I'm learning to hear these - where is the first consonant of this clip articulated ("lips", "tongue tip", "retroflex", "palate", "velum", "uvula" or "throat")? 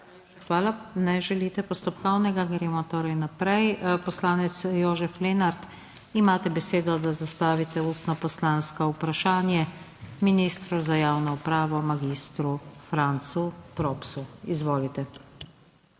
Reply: velum